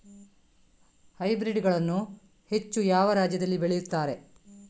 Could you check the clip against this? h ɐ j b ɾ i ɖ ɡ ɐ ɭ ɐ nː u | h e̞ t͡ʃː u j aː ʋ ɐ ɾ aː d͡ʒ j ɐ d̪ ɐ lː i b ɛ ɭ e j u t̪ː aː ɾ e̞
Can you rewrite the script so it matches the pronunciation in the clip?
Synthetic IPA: h ɐ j b ɾ i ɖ ɡ ɐ ɭ ɐ nː u | h e̞ t͡ʃː u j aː ʋ ɐ ɾ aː d͡ʒ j ɐ d̪ ɐ lː i b e ɭ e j u t̪ː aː ɾ e̞

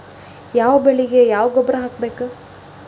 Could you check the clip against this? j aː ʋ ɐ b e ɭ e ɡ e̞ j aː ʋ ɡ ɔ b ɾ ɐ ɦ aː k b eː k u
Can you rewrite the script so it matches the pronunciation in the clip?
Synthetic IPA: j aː ʋ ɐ b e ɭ i ɡ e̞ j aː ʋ ɡ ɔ b ɾ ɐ ɦ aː k b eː k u

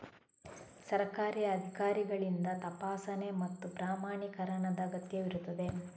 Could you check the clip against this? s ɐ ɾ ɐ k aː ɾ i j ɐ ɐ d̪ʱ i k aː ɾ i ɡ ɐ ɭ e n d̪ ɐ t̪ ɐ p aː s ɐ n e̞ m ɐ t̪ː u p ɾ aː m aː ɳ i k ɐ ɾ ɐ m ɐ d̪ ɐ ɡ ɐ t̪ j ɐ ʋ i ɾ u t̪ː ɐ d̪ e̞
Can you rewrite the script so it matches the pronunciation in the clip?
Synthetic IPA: s ɐ ɾ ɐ k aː ɾ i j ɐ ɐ d̪ʱ i k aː ɾ i ɡ ɐ ɭ i n d̪ ɐ t̪ ɐ p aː s ɐ n e̞ m ɐ t̪ː u p ɾ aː m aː ɳ i k ɐ ɾ ɐ ɳ ɐ d̪ ɐ ɡ ɐ t̪ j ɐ ʋ i ɾ u t̪ː ɐ d̪ e̞

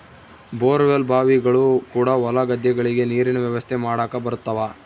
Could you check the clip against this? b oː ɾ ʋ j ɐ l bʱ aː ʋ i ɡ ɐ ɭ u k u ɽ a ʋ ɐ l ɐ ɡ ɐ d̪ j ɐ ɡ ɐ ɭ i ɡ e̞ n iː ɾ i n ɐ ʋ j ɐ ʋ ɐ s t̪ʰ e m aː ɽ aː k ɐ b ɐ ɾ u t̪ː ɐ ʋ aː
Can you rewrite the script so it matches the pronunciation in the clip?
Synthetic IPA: b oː ɾ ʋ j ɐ l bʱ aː ʋ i ɡ ɐ ɭ u k uː ɽ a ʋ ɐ l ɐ ɡ ɐ d̪ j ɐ ɡ ɐ ɭ i ɡ e̞ n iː ɾ i n ɐ ʋ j ɐ ʋ ɐ s t̪ʰ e m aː ɽ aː k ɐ b ɐ ɾ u t̪ː ɐ ʋ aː

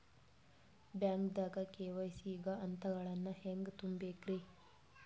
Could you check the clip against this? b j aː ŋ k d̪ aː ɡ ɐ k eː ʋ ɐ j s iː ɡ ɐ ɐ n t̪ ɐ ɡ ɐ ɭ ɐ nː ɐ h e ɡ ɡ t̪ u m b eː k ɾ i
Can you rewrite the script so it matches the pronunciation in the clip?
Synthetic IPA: b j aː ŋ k d̪ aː ɡ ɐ k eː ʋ ɐ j s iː ɡ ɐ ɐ n t̪ ɐ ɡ ɐ ɭ ɐ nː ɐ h e ŋ ɡ t̪ u m b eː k ɾ i

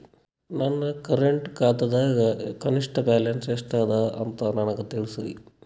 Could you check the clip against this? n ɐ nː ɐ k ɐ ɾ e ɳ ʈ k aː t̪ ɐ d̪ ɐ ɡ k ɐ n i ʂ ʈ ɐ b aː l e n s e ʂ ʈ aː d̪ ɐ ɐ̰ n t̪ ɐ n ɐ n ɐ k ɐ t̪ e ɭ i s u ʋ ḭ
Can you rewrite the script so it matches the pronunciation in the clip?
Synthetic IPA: n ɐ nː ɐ k ɐ ɾ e ɳ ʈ k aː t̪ ɐ d̪ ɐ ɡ k ɐ n i ʂ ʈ ɐ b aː l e n s e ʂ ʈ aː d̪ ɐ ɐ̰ n t̪ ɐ n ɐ n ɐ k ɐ t̪ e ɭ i s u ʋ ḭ

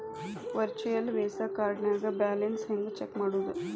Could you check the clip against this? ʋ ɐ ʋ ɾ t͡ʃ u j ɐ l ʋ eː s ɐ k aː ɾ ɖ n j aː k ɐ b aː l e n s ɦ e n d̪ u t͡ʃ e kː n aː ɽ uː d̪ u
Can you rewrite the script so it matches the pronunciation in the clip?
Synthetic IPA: ʋ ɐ ɾ t͡ʃ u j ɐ l ʋ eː s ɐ k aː ɾ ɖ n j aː ɡ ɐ b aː l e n s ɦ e n d̪ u t͡ʃ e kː m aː ɽ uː d̪ u

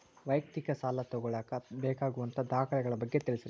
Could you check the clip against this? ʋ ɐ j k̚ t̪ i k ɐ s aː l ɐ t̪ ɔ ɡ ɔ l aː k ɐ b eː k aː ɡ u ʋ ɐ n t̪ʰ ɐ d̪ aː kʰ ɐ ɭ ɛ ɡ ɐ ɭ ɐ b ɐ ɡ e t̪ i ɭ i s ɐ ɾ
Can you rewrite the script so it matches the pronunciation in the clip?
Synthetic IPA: ʋ ɐ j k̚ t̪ i k ɐ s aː l ɐ t̪ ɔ ɡ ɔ ɭ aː k ɐ b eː k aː ɡ u ʋ ɐ n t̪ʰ ɐ d̪ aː kʰ ɐ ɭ ɛ ɡ ɐ ɭ ɐ b ɐ ɡː e t̪ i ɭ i s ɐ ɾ

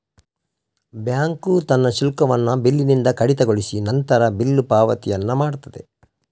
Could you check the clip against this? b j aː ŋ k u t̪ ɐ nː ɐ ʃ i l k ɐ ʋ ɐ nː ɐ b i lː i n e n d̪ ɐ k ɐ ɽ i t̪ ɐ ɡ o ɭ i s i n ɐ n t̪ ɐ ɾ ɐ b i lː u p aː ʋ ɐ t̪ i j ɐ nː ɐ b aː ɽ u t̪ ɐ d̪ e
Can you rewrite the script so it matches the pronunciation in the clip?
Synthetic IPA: b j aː ŋ k u t̪ ɐ nː ɐ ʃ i l k ɐ ʋ ɐ nː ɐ b i lː i n i n d̪ ɐ k ɐ ɽ i t̪ ɐ ɡ o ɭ i s i n ɐ n t̪ ɐ ɾ ɐ b i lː u p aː ʋ ɐ t̪ i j ɐ nː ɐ m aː ɽ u t̪ ɐ d̪ e

